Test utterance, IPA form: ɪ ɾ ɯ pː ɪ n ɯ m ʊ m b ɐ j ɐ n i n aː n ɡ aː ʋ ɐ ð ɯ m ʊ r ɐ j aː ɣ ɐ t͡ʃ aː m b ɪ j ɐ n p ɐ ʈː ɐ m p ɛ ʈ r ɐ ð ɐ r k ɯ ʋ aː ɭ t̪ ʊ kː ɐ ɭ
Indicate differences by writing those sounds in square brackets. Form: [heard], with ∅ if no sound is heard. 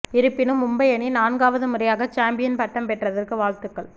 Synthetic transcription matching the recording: ɪ ɾ ɯ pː ɪ n ɯ m ʊ m b ɐ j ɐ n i n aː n ɡ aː ʋ ɐ ð ɯ m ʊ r ɐ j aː ɣ ɐ t͡ʃ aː m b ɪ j ɐ n p ɐ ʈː ɐ m p ɛ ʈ r ɐ ð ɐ r k ɯ ʋ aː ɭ t̪ [ɯ] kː ɐ ɭ